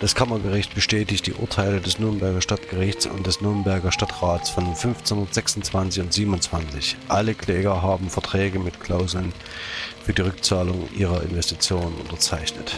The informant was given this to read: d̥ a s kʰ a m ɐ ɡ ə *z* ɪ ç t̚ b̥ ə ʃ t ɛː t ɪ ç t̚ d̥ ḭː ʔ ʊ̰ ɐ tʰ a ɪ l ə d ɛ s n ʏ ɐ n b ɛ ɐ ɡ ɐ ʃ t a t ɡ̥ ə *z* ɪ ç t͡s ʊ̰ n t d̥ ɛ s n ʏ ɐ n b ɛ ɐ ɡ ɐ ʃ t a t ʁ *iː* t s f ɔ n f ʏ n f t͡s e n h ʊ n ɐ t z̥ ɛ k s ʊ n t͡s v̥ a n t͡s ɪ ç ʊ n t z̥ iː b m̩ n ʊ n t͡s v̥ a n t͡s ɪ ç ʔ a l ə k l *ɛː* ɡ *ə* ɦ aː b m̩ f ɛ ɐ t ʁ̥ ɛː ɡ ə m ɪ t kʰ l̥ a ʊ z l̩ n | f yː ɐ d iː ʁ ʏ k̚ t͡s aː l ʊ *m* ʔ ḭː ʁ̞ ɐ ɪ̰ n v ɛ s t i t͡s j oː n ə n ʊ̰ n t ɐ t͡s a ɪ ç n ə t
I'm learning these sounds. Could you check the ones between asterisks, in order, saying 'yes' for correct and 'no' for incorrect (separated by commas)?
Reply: no, no, no, yes, no, no